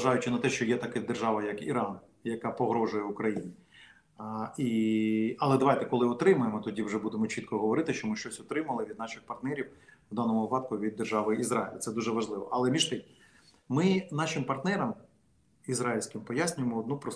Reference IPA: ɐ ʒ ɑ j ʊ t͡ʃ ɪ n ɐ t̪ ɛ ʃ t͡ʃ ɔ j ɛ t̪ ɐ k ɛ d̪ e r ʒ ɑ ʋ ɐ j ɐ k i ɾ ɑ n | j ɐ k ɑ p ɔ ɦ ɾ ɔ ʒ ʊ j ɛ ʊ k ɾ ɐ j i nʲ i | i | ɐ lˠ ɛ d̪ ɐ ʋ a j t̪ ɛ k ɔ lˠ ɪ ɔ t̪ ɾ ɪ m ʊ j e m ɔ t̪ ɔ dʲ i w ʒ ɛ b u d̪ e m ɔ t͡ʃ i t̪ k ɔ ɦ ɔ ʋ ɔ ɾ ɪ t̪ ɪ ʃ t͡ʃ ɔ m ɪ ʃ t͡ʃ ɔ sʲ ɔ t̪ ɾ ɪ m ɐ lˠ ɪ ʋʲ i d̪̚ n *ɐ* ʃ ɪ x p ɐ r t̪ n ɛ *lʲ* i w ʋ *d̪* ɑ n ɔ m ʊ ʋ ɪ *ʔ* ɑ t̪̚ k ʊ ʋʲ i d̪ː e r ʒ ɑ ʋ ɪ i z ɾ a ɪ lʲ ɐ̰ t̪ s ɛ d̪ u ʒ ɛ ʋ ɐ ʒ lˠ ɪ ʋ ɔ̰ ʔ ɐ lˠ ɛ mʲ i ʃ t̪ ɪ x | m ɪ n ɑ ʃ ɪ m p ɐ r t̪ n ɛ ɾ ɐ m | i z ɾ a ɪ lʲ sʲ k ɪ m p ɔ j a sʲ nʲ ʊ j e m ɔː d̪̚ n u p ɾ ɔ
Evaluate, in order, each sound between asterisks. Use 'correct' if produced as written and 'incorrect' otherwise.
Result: incorrect, incorrect, correct, incorrect

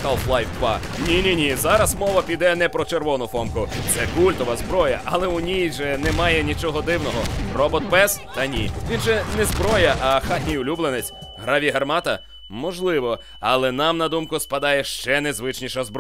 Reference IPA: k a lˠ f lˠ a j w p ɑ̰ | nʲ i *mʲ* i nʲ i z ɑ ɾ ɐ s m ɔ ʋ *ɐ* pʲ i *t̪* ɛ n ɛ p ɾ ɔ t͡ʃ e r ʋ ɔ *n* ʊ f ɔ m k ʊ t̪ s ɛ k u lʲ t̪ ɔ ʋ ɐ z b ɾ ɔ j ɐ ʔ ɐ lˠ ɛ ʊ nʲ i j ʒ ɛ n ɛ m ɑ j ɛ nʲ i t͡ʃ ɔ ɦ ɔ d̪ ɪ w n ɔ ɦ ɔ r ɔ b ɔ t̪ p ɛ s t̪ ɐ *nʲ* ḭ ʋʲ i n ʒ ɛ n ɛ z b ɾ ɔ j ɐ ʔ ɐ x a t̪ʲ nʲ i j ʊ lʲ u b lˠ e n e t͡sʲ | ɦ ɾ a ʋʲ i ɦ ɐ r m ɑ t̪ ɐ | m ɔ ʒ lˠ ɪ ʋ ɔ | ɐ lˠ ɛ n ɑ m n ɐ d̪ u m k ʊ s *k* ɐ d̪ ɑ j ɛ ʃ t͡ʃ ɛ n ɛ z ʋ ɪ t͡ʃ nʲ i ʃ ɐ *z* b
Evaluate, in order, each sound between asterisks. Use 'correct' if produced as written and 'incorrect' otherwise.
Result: incorrect, correct, incorrect, correct, correct, incorrect, correct

